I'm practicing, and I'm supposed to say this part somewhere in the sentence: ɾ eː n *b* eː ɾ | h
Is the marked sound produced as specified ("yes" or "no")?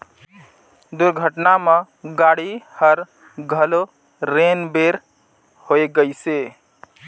yes